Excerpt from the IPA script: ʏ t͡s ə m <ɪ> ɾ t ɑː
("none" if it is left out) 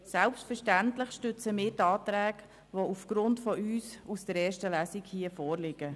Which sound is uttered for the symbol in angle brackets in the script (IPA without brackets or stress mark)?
ɪː